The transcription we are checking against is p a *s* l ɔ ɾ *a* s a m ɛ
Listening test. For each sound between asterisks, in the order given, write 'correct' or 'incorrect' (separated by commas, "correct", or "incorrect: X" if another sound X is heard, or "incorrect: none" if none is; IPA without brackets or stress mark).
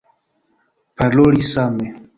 incorrect: none, incorrect: i